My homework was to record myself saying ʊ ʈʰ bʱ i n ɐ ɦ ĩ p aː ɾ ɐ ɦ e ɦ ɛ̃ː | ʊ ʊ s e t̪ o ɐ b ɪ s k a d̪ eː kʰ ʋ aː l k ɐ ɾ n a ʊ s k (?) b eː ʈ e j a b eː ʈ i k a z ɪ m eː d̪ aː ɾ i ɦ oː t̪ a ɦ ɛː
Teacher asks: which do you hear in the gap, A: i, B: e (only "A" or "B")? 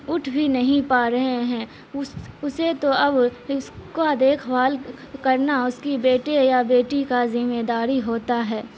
A